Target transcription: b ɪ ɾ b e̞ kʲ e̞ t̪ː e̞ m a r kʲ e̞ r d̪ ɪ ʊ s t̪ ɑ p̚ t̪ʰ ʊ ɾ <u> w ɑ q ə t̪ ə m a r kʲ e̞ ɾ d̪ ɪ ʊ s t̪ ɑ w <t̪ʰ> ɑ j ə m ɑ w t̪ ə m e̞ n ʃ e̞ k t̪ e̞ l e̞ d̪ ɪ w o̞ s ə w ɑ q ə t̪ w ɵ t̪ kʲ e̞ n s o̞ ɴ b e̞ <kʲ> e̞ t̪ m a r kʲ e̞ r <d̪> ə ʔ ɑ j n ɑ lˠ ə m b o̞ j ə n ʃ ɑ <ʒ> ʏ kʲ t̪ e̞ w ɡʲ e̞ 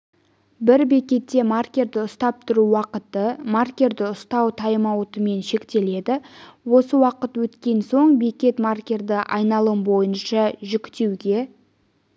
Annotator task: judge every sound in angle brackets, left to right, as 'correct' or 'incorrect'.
correct, correct, correct, correct, correct

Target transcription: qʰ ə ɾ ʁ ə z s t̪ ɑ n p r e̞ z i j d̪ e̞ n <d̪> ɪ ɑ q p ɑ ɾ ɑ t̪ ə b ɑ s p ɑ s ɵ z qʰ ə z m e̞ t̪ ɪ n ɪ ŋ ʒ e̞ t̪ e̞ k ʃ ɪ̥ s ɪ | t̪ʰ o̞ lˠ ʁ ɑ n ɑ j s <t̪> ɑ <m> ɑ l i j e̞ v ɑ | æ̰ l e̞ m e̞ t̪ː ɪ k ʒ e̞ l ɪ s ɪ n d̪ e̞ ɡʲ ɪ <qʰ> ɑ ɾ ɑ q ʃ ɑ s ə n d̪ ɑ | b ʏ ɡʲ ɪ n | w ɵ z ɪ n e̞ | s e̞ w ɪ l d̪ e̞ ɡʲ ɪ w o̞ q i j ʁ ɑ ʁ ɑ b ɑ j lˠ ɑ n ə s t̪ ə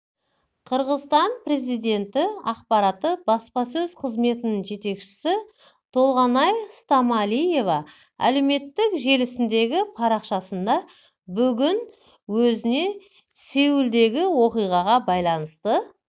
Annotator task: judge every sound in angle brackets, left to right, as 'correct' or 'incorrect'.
incorrect: t̪, correct, correct, incorrect: pʰ

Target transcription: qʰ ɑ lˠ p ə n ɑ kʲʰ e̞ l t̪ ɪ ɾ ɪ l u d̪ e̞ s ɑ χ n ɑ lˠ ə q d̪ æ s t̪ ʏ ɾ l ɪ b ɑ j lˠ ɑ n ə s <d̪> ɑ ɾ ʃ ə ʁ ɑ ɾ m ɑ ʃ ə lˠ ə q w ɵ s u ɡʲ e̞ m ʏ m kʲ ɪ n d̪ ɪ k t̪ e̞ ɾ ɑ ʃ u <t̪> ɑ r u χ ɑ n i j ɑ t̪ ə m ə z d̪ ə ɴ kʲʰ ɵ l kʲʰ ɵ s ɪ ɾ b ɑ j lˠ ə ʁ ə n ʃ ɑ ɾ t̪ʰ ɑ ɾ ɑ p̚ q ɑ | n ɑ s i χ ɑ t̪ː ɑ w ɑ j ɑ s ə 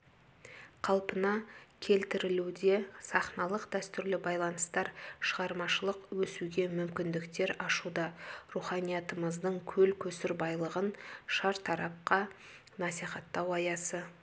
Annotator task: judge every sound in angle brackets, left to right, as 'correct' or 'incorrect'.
incorrect: t̪, incorrect: d̪

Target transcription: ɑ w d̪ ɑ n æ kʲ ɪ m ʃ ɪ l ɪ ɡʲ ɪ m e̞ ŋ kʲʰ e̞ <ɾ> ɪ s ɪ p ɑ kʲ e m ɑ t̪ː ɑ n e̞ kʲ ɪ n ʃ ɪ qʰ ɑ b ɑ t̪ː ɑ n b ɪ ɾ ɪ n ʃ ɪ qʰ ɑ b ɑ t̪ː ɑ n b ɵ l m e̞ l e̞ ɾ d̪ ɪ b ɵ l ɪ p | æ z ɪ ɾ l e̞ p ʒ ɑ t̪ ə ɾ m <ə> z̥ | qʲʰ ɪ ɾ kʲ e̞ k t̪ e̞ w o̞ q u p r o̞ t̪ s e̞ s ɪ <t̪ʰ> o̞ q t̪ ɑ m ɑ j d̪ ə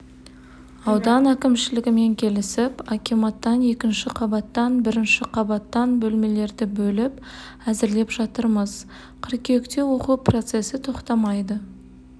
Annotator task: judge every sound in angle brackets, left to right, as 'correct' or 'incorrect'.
incorrect: l, correct, correct

